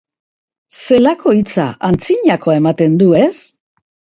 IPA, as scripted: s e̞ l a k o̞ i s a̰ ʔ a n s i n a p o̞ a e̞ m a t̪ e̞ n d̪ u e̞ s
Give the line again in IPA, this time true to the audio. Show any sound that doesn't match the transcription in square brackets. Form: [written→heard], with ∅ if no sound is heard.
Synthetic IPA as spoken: s e̞ l a k o̞ i [s→t͡s] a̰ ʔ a n [s→t͡s] i [n→ɲ] a [p→k] o̞ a e̞ m a t̪ e̞ n d̪ u e̞ s